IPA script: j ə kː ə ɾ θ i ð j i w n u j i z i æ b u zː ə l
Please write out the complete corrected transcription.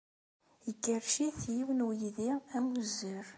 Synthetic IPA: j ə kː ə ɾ ʃ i θ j i w n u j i ð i æ m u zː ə ɾ